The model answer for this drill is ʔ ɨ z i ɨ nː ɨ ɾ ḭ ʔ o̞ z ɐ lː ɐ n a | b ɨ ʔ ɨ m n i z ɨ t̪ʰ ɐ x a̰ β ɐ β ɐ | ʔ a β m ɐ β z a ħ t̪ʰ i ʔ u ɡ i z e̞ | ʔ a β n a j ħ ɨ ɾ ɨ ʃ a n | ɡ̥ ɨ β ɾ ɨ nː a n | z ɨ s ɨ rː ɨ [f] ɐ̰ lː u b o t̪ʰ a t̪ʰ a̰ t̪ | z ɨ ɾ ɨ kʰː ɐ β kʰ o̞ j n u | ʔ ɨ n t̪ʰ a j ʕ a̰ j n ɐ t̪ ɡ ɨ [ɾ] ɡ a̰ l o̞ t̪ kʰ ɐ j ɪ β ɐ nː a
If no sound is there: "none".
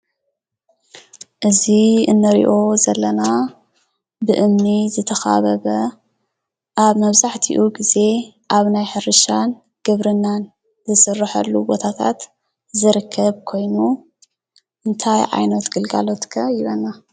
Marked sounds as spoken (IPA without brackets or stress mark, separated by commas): ħ, l